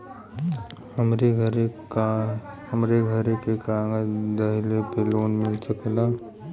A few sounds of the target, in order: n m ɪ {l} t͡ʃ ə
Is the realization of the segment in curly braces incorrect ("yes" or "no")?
no